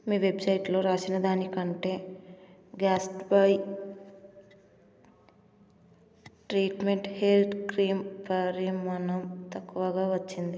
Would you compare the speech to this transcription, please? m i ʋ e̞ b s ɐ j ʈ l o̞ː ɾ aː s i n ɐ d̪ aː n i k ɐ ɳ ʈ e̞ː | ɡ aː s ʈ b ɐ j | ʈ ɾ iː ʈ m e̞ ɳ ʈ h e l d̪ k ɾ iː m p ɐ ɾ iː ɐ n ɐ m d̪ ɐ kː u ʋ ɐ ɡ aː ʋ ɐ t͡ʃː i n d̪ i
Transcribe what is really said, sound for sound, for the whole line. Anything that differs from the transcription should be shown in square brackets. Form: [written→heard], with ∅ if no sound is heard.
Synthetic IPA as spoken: m [i→iː] ʋ e̞ b s ɐ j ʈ l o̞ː ɾ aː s i n ɐ d̪ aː n i k ɐ ɳ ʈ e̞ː | ɡ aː s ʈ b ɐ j | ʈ ɾ iː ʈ m e̞ ɳ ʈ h e l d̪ k ɾ iː m p ɐ ɾ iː ɐ n ɐ m [d̪→t̪] ɐ kː u ʋ ɐ ɡ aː ʋ ɐ t͡ʃː i n d̪ i